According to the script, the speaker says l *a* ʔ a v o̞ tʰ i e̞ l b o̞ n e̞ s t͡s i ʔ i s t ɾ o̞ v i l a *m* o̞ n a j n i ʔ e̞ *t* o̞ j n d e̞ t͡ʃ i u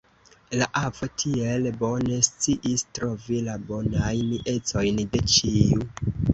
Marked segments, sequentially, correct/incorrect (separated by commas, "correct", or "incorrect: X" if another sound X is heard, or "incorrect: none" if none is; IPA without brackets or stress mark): correct, incorrect: b, incorrect: t͡s